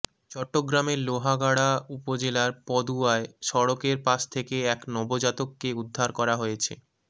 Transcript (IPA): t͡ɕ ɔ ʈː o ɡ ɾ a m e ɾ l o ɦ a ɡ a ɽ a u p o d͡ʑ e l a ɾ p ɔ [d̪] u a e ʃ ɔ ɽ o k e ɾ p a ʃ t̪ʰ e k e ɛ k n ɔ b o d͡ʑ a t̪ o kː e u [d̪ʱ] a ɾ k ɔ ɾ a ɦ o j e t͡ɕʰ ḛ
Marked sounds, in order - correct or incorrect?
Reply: correct, incorrect: d̪ʱː

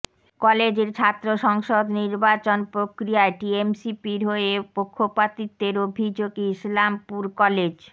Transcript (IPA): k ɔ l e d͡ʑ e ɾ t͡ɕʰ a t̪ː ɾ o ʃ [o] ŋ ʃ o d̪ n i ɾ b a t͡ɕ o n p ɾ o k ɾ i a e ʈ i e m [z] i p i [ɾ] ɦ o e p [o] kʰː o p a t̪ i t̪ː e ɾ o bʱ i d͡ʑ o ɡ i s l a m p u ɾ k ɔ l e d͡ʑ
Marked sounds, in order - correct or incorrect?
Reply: incorrect: ɔ, incorrect: s, correct, correct

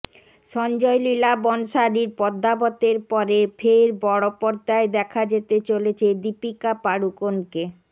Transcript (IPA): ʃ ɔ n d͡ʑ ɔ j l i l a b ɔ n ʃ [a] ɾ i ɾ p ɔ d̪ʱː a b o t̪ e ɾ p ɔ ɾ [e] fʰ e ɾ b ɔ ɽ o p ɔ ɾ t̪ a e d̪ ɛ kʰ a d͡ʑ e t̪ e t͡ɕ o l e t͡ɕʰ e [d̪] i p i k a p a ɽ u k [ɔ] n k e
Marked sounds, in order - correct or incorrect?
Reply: correct, correct, correct, incorrect: o

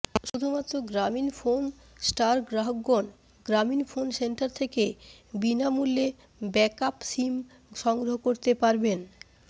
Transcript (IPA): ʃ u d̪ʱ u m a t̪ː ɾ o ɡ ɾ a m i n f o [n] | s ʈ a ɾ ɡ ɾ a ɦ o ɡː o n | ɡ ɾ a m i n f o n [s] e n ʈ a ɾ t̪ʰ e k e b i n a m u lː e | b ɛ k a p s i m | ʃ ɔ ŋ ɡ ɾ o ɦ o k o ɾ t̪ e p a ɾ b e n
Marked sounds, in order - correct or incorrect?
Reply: correct, correct

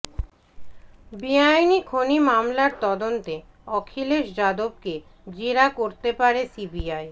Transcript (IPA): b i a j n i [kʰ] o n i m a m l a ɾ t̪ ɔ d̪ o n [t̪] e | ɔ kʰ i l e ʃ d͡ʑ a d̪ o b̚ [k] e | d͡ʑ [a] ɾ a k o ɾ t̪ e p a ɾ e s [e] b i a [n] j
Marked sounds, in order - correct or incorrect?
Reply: correct, correct, correct, incorrect: e, incorrect: i, incorrect: none

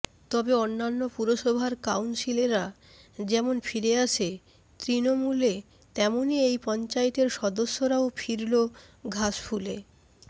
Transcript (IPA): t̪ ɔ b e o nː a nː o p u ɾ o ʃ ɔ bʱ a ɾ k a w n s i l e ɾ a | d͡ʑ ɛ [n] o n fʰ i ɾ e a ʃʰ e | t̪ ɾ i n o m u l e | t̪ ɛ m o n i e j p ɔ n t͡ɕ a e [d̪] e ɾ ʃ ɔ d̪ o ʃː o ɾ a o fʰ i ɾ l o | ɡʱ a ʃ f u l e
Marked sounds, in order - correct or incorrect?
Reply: incorrect: m, incorrect: t̪

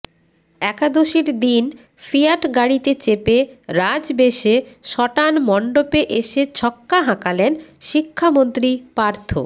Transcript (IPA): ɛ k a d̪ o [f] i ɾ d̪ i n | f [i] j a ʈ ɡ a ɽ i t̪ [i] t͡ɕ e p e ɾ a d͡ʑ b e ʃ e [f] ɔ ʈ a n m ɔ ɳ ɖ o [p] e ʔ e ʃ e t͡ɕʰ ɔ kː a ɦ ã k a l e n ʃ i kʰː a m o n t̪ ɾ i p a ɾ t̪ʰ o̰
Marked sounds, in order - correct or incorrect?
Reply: incorrect: ʃ, correct, incorrect: e, incorrect: ʃ, correct

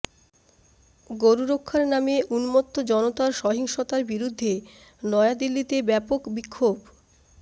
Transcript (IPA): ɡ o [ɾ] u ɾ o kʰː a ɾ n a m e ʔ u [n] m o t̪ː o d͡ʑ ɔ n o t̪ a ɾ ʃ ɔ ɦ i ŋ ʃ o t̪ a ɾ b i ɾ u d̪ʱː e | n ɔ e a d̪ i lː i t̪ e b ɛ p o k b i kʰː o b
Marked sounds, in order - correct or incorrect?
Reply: correct, correct

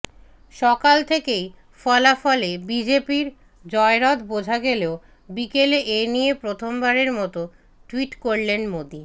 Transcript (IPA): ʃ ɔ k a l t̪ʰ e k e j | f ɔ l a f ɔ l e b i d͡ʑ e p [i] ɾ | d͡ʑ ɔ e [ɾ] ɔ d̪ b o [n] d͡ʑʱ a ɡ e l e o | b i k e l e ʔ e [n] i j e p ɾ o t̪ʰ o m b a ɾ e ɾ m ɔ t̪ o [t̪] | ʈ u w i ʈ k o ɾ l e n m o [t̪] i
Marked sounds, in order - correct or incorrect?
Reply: correct, correct, incorrect: none, correct, incorrect: none, incorrect: d̪

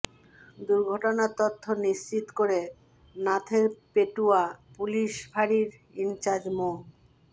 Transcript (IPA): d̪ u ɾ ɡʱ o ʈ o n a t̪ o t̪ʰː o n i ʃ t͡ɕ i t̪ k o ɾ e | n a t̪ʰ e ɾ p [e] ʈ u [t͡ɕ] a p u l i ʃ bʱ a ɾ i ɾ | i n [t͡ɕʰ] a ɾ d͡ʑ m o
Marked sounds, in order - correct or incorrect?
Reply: correct, incorrect: none, incorrect: t͡ɕ

